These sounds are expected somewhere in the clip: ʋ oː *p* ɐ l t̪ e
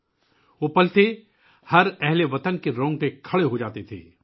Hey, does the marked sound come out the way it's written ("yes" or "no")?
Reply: yes